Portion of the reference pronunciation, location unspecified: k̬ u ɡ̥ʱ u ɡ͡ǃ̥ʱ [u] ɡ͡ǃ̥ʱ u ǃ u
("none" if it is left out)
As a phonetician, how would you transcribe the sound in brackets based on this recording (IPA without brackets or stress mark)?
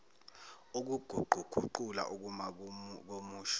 u